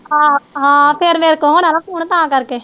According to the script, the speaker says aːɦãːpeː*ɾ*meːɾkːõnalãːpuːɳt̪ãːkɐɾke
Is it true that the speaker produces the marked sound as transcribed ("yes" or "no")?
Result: yes